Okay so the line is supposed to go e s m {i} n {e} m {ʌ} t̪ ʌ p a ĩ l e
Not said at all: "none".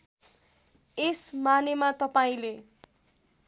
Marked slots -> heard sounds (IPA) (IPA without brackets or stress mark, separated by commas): a, e, a